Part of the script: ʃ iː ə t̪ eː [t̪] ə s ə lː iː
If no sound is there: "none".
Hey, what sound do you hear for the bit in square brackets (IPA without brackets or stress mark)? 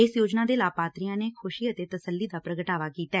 t̪